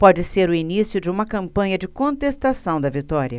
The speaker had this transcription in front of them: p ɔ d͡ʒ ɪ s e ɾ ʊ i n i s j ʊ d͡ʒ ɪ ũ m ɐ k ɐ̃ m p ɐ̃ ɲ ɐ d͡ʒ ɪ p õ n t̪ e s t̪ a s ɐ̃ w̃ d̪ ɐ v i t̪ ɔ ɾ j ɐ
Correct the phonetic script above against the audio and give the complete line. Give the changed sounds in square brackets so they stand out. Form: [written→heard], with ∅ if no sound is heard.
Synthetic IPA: p ɔ d͡ʒ ɪ s e ɾ ʊ i n i s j ʊ d͡ʒ ɪ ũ m ɐ k ɐ̃ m p ɐ̃ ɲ ɐ d͡ʒ ɪ [p→k] õ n t̪ e s t̪ a s ɐ̃ w̃ d̪ ɐ v i t̪ ɔ ɾ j ɐ